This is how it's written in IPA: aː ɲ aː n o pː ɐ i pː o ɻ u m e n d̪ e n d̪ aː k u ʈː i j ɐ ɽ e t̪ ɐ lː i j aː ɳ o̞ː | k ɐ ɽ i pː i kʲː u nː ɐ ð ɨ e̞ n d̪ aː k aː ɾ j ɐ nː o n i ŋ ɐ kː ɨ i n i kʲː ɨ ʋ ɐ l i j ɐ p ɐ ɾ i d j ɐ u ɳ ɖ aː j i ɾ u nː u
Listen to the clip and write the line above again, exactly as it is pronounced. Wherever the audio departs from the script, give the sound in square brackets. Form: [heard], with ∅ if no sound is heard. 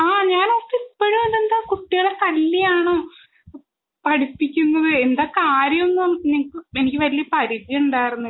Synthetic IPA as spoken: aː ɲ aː n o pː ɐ i pː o ɻ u m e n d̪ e n d̪ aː k u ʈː i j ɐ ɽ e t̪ ɐ lː i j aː ɳ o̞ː | [p] ɐ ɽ i pː i kʲː u nː ɐ ð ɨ e̞ n d̪ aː k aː ɾ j ɐ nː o n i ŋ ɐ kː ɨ [e] n i kʲː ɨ ʋ ɐ l i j ɐ p ɐ ɾ i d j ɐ u ɳ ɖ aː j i ɾ u nː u